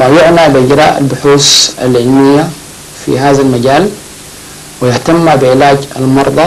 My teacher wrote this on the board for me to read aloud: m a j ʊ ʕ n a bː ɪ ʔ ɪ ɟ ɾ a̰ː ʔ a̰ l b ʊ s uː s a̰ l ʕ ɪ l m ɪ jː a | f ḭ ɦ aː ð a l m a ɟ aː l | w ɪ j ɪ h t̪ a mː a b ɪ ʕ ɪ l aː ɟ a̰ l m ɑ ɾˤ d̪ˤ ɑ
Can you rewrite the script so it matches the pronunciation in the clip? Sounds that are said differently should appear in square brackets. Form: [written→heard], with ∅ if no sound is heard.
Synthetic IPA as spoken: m a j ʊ ʕ n a [bː→b] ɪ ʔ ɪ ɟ ɾ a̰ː ʔ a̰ l b ʊ [s→ħ] uː s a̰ l ʕ ɪ l m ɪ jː a | f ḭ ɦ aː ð a l m a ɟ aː l | w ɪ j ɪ h t̪ a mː a b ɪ ʕ ɪ l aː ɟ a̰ l m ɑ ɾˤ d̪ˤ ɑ